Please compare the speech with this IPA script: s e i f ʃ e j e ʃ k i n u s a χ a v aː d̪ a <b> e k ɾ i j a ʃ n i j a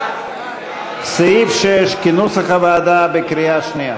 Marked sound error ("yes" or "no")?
no